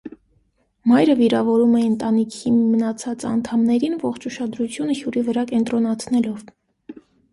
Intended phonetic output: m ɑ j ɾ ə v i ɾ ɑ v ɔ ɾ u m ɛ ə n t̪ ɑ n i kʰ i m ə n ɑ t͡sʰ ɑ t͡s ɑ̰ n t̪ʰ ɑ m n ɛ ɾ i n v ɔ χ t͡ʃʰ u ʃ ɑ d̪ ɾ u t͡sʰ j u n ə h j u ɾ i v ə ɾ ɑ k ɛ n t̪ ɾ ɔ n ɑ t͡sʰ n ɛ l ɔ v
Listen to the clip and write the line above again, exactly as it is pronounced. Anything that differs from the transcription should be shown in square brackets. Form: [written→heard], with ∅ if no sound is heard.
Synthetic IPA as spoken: m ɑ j ɾ ə v i ɾ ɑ v ɔ ɾ u m ɛ ə n t̪ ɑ n i kʰ i m ə n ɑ t͡sʰ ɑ t͡s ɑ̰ n t̪ʰ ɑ m n ɛ ɾ i n v ɔ χ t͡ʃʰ u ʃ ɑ d̪ ɾ u t͡sʰ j u n ə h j u ɾ i v ə ɾ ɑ k ɛ n t̪ ɾ ɔ n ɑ t͡sʰ n ɛ l ɔ v